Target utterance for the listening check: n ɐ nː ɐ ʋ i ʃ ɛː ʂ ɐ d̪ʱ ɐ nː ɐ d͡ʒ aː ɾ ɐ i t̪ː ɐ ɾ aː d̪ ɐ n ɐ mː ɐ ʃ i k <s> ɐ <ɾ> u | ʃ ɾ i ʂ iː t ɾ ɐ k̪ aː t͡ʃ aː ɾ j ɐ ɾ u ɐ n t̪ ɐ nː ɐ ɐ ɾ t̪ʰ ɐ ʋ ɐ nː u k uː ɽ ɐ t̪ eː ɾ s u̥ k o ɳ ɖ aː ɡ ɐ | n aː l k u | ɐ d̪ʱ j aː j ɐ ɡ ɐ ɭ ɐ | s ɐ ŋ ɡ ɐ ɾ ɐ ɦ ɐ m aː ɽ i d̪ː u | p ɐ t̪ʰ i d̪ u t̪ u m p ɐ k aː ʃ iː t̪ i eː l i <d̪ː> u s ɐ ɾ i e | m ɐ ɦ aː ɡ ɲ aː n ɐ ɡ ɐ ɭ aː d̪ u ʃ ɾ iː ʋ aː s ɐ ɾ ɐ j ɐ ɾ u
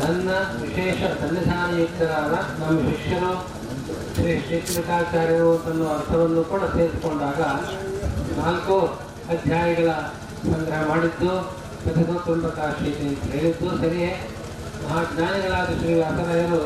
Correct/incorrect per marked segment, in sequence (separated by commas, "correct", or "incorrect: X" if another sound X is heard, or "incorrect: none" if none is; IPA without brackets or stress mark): incorrect: ʂ, correct, correct